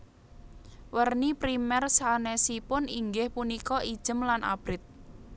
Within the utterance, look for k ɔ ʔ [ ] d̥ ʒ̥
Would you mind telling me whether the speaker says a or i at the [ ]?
i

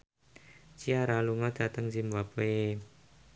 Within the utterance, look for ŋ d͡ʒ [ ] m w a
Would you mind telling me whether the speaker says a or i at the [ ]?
i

